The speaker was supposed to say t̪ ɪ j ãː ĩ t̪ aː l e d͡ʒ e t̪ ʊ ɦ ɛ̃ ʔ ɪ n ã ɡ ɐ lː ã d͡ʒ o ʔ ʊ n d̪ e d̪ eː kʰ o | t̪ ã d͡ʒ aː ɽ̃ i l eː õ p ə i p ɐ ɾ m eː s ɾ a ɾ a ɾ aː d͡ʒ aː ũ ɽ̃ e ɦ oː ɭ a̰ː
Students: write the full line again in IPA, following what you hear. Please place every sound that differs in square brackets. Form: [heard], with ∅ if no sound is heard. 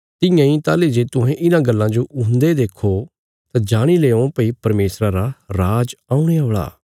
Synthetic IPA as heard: t̪ ɪ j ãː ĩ t̪ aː l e d͡ʒ e t̪ ʊ ɦ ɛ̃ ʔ ɪ n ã ɡ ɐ lː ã d͡ʒ o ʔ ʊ n d̪ e d̪ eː kʰ o | t̪ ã d͡ʒ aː ɽ̃ i l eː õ p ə i p ɐ ɾ m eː s ɾ a ɾ a ɾ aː d͡ʒ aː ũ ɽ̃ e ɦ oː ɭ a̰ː